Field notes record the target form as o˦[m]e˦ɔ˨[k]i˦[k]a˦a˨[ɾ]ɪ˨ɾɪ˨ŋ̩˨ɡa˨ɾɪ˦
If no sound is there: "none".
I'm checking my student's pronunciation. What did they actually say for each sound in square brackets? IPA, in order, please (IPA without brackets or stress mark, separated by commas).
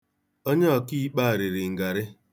ɲ, k, k͡p, ɾ